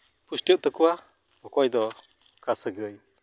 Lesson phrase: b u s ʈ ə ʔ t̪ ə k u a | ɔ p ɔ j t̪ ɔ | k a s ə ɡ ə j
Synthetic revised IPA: p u s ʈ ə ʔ t̪ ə k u a | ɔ k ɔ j d̪ ɔ | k a s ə ɡ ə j